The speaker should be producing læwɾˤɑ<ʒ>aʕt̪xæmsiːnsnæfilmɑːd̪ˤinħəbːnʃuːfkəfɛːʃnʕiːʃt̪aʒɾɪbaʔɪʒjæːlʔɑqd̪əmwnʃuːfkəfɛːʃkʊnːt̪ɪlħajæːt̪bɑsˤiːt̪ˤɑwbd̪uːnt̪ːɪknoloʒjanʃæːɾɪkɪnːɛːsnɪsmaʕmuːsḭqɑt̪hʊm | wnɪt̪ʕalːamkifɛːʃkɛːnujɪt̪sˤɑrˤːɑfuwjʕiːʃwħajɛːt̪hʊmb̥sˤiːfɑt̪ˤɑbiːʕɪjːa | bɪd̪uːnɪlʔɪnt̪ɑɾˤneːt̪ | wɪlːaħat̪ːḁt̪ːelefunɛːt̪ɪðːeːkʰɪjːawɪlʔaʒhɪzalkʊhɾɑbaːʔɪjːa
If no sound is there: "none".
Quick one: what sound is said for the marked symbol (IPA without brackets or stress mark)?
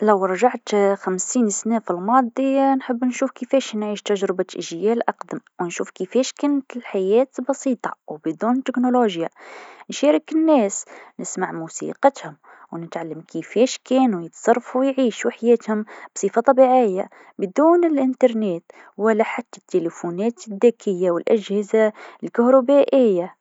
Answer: ʒ